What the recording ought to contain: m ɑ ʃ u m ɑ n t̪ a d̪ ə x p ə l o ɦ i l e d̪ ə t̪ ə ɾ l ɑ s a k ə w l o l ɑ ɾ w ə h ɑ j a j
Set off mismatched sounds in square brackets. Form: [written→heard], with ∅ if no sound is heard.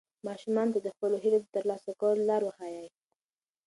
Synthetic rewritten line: m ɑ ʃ u m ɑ n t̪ a d̪ ə x p ə l o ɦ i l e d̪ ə t̪ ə ɾ l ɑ s a k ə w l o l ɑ ɾ w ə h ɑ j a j